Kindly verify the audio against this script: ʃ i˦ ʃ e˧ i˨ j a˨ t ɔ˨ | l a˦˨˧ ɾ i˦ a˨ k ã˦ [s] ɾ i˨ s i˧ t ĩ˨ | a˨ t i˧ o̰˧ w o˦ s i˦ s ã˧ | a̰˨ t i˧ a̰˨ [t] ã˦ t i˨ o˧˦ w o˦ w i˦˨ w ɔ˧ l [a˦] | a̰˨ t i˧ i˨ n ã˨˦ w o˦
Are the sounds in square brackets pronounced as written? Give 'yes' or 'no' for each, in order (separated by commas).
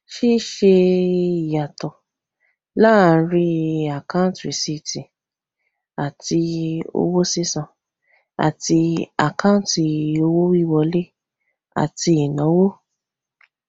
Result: no, no, no